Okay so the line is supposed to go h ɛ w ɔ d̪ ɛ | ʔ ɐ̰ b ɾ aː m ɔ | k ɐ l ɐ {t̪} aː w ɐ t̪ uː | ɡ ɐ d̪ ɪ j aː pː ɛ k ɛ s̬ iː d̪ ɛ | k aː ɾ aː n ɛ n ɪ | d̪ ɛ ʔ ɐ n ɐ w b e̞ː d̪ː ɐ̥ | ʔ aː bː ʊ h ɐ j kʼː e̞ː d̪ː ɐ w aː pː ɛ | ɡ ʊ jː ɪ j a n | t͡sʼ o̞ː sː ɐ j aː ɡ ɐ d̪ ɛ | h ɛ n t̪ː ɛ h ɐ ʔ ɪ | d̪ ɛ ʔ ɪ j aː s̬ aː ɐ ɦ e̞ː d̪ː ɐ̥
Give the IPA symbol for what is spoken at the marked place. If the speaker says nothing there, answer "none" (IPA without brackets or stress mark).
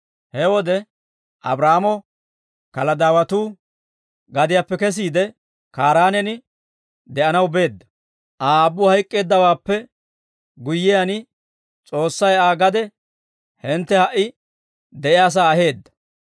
d̪